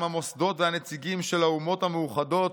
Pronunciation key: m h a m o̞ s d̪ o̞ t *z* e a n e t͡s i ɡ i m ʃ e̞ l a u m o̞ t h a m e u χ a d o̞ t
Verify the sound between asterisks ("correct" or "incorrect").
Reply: incorrect